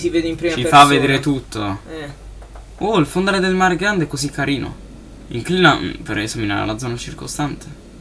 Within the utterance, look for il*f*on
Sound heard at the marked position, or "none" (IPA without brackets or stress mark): f